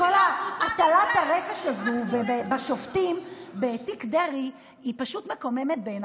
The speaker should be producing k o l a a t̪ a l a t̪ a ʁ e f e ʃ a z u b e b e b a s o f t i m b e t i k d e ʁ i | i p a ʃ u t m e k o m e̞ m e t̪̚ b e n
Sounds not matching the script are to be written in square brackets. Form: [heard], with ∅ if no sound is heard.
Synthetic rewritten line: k o l a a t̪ a l a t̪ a ʁ e f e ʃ a z u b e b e b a [ʃ] o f t i m b e t i k d e ʁ i | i p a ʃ u t m e k o m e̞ m e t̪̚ b e n